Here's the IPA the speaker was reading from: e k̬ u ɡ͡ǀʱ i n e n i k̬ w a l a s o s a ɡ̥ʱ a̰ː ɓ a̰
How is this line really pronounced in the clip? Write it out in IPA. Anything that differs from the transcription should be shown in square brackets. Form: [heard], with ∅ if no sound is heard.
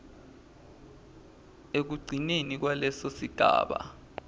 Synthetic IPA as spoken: e k̬ u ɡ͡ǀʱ i n e n i k̬ w a l [ɛ] s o s [i] ɡ̥ʱ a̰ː ɓ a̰